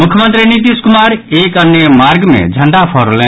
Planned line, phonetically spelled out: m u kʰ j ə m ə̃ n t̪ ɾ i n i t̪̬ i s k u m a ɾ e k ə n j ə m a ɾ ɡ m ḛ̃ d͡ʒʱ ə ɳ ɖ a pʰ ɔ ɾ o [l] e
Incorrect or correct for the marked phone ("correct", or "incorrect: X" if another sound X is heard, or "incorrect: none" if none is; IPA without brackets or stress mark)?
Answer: correct